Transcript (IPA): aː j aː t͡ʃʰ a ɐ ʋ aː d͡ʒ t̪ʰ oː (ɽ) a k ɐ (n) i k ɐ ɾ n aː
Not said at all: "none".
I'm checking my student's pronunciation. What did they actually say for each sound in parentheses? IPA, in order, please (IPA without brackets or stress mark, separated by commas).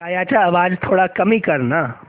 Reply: ɽ, m